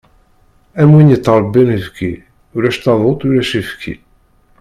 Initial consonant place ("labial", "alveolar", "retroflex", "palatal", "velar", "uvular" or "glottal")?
labial